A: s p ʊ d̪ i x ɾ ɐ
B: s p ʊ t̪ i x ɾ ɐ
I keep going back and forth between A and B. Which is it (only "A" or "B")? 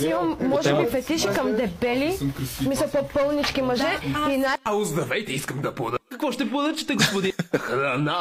A